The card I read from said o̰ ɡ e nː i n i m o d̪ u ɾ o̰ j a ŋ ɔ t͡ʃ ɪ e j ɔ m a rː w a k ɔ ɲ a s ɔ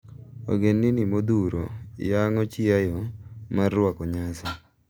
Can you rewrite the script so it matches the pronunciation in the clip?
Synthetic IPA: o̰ ɡ e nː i n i m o d̪ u ɾ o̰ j a ŋ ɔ t͡ʃ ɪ a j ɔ m a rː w a k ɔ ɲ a s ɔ

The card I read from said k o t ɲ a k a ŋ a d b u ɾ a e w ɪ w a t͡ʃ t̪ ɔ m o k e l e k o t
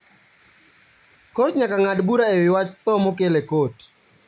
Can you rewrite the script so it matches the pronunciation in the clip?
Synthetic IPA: k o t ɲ a k a ŋ a d b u ɾ a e w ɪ w a t͡ʃ t̪ ɔ m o k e l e k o t

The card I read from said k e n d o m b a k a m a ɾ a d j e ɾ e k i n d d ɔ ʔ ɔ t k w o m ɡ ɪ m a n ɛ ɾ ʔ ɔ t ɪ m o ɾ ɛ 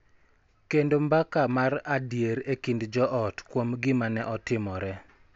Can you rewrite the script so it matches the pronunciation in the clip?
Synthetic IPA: k e n d o m b a k a m a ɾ a d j e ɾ e k i n d d͡ʒ ɔ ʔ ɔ t k w o m ɡ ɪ m a n ɛ ʔ ɔ t ɪ m ɔ ɾ ɛ

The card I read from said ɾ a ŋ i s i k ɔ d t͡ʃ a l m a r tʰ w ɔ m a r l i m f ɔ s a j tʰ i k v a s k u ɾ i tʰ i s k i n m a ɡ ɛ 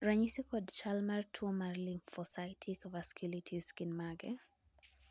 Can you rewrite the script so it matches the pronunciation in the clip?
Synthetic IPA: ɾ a ɲ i s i k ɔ d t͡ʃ a l m a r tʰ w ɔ m a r l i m f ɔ s a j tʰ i k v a s k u l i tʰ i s k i n m a ɡ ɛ

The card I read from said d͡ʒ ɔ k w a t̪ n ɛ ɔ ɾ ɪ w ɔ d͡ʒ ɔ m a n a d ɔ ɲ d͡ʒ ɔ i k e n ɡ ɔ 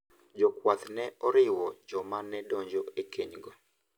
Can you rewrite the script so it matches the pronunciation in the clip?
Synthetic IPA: d͡ʒ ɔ k w a t̪ n ɛ ɔ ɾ ɪ w ɔ d͡ʒ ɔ m a n ɛ d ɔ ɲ d͡ʒ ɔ e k e ɲ ɡ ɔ

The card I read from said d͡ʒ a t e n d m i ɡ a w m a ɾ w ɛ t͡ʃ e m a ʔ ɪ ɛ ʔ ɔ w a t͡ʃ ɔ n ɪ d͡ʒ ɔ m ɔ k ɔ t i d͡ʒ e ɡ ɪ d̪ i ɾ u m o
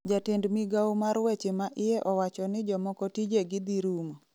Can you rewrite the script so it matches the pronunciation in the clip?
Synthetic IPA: d͡ʒ a t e n d m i ɡ a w m a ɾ w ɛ t͡ʃ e m a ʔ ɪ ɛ ʔ ɔ w a t͡ʃ ɔ n ɪ d͡ʒ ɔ m ɔ k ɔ t i d͡ʒ e ɡ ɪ d̪ i ɾ u m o

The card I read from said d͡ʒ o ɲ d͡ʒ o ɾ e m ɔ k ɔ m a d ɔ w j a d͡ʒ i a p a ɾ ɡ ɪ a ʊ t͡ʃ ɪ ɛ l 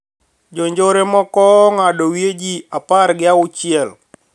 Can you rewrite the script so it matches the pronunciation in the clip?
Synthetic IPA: d͡ʒ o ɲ d͡ʒ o ɾ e m ɔ k ɔ ŋ a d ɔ w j e d͡ʒ i a p a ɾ ɡ ɪ a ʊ t͡ʃ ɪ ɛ l

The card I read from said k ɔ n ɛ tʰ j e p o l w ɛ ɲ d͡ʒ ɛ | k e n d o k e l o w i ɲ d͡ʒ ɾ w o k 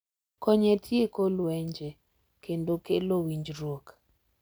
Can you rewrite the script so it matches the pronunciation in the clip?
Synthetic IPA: k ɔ ɲ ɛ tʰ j e k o l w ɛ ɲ d͡ʒ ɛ | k e n d o k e l o w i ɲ d͡ʒ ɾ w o k

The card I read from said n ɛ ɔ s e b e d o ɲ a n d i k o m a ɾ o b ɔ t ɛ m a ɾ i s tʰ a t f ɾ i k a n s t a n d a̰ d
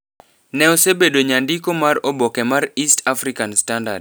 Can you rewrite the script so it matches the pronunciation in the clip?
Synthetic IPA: n ɛ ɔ s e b e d o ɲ a n d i k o m a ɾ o b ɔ k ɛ m a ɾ i s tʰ a f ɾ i k a n s t a n d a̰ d

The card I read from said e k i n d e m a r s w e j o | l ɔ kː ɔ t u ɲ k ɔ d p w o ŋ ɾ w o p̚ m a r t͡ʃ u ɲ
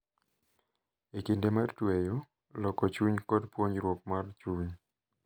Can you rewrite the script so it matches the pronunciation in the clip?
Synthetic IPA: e k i n d e m a r t w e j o | l ɔ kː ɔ t͡ʃ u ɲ k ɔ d p w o ɲ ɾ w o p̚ m a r t͡ʃ u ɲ

